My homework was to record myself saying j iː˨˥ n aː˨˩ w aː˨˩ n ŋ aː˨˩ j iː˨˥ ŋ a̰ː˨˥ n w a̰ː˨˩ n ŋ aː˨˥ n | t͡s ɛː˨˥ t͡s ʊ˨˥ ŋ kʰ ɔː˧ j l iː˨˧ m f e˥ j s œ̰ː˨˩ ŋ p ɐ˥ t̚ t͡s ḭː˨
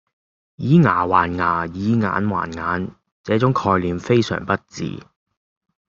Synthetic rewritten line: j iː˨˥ ŋ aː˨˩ w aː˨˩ n ŋ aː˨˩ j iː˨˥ ŋ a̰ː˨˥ n w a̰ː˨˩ n ŋ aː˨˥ n | t͡s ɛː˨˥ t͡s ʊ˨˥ ŋ kʰ ɔː˧ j l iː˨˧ m f e˥ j s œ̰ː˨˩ ŋ p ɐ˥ t̚ t͡s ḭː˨